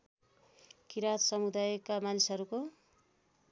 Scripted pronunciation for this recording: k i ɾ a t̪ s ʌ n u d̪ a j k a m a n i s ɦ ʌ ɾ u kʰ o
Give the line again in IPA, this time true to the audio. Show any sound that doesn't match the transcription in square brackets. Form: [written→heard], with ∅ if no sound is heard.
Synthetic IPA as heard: k i ɾ a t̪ s ʌ [n→m] u d̪ a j k a m a n i s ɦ ʌ ɾ u [kʰ→k] o